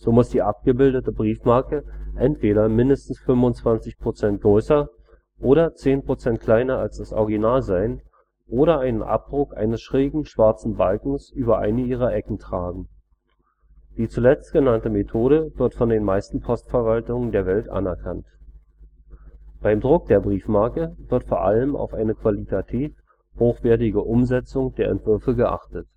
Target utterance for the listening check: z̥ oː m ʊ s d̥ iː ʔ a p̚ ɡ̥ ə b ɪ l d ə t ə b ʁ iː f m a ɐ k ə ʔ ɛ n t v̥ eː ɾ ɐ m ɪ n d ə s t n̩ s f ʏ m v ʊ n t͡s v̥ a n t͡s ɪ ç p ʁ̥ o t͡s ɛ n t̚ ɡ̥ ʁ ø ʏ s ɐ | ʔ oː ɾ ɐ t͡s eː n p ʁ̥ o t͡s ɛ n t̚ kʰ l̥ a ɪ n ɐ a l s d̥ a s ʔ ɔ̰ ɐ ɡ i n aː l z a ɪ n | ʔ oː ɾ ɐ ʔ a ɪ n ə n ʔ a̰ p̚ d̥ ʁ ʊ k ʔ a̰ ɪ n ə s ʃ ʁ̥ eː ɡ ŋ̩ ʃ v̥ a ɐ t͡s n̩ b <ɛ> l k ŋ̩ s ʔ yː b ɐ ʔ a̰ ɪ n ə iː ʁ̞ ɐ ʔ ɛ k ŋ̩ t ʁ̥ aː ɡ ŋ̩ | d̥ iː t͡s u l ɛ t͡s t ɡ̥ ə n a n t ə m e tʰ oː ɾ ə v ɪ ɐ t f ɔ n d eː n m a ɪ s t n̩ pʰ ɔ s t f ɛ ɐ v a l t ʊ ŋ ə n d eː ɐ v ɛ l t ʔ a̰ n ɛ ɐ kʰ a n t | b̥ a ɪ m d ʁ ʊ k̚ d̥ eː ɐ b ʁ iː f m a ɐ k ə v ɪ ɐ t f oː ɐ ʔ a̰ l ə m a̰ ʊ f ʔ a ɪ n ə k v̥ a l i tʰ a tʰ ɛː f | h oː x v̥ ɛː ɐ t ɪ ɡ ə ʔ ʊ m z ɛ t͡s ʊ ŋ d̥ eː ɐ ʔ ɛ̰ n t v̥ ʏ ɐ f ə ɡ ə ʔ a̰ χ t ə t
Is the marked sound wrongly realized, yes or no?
yes